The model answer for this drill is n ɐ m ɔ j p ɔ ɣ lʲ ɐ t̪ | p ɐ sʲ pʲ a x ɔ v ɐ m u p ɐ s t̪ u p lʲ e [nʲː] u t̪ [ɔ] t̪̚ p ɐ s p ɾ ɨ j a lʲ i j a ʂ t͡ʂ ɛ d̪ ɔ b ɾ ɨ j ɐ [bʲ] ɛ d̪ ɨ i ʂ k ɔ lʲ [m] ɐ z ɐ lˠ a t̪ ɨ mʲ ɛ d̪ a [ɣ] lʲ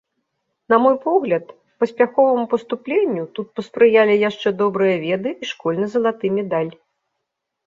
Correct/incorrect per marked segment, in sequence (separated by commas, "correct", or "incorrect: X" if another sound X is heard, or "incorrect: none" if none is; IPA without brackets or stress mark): correct, incorrect: u, incorrect: vʲ, incorrect: n, incorrect: none